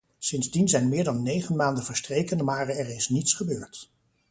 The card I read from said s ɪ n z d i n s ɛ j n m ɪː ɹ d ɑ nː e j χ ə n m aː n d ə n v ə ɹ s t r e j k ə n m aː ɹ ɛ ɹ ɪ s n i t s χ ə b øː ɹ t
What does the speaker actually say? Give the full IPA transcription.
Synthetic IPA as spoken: s ɪ n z d i n z ɛ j n m ɪː ɹ d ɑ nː e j χ ə n m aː n d ə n v ə ɹ s t r e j k ə n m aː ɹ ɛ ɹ ɪ s n i t s χ ə b øː ɹ t